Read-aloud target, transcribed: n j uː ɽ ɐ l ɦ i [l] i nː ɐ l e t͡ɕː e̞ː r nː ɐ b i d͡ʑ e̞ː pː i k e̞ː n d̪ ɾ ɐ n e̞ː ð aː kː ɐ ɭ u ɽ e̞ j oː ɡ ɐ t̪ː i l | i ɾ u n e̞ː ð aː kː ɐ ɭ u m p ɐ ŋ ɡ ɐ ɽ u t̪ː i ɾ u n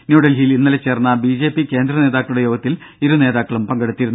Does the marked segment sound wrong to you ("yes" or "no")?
no